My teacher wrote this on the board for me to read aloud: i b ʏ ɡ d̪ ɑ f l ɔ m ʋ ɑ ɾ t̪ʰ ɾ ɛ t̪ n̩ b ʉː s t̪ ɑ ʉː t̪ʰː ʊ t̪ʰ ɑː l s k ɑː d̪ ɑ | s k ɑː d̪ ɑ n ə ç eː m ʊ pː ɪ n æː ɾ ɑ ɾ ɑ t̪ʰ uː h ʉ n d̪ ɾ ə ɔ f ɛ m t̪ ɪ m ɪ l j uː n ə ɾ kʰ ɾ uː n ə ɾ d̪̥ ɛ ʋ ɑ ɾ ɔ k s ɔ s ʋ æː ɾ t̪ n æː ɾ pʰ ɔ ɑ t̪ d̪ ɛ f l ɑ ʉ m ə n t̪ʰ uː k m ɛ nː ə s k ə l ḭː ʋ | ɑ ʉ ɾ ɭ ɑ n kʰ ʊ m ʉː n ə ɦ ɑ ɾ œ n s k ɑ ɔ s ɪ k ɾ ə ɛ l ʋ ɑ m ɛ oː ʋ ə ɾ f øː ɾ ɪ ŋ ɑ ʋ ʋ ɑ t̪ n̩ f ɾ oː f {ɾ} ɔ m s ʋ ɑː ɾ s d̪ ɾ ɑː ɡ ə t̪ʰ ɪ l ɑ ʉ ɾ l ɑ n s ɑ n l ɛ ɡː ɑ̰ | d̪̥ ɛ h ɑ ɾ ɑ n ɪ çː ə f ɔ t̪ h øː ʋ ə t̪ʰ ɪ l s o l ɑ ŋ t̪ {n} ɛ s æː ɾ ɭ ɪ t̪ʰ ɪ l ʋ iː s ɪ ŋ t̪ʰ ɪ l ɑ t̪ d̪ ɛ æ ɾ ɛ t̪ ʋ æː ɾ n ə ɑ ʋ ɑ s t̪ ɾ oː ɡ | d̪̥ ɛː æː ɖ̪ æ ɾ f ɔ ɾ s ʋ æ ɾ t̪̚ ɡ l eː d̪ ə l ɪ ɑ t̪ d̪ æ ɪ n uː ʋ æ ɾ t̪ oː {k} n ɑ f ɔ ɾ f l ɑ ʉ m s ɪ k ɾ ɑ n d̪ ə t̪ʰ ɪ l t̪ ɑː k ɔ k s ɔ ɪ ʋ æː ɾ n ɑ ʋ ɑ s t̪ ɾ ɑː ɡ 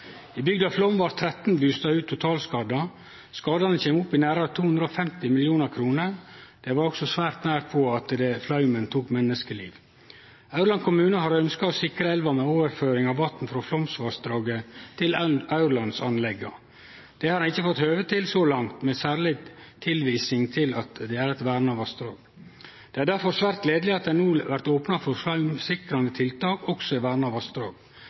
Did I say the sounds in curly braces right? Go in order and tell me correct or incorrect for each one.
incorrect: l, incorrect: m, incorrect: p

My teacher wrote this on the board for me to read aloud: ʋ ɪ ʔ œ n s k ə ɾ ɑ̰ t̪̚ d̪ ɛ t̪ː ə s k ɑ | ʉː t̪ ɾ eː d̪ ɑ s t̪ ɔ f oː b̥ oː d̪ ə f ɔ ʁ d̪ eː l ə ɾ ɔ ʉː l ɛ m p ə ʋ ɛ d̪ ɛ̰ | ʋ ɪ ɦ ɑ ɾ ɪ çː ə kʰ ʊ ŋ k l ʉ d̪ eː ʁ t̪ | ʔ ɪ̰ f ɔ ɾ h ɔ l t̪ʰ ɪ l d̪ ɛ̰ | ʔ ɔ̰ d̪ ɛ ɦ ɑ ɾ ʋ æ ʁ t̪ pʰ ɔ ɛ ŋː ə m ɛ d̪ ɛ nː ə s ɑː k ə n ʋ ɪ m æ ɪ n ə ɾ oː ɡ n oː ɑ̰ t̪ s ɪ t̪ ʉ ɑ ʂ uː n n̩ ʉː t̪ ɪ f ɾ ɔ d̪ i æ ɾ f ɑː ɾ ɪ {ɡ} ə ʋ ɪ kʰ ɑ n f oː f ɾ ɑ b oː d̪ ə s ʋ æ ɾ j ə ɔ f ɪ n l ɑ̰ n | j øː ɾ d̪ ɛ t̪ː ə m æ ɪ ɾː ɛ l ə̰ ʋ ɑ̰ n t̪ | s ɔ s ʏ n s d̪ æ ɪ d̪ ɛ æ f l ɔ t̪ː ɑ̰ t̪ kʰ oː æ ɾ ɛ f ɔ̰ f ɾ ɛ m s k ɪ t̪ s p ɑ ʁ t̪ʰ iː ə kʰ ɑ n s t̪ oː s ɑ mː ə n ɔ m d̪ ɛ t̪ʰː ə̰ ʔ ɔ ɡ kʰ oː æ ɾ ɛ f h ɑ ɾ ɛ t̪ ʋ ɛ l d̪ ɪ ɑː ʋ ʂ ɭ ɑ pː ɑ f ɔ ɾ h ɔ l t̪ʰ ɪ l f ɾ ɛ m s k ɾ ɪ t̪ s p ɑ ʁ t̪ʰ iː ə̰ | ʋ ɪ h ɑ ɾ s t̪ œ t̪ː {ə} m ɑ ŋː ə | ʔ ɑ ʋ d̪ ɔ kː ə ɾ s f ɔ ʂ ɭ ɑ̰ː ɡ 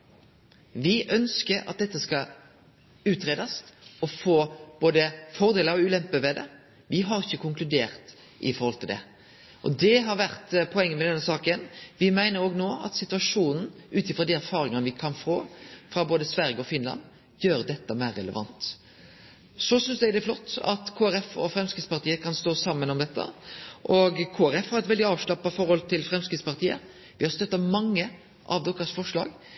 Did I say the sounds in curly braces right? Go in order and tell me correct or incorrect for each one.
incorrect: ŋ, incorrect: ɑ

